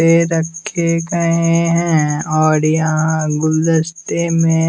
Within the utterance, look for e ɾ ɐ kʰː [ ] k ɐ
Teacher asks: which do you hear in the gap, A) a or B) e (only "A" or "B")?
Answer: B